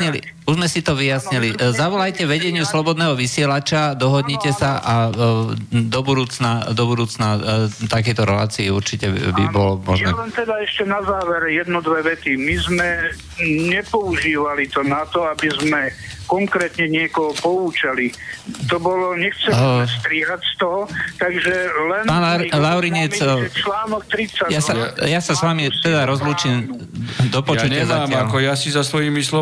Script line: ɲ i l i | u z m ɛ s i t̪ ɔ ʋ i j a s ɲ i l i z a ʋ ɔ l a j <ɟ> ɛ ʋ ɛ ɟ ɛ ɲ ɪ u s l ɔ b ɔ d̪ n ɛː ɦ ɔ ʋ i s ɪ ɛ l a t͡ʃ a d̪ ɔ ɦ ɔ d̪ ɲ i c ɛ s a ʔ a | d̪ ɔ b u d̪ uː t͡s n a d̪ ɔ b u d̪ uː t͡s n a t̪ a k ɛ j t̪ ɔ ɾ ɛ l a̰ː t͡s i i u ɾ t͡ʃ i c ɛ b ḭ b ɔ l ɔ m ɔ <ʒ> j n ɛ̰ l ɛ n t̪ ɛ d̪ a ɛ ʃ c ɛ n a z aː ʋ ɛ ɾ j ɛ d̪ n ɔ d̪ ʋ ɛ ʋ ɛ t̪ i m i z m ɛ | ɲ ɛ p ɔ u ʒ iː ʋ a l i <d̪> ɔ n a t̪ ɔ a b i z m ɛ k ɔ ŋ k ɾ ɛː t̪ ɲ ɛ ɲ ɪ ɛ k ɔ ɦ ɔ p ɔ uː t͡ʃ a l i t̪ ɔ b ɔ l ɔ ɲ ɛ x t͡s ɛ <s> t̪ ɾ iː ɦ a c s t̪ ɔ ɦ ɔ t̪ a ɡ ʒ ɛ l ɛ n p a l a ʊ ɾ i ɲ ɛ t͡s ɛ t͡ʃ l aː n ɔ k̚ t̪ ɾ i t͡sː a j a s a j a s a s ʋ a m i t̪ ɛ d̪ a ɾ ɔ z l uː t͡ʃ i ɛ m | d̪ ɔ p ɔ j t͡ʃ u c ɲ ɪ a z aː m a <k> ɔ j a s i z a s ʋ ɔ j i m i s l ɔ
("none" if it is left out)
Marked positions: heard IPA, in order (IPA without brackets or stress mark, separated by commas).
c, ʒ, t̪, s, k